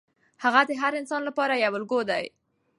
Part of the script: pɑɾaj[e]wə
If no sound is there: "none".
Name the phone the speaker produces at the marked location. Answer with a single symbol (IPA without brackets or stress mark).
a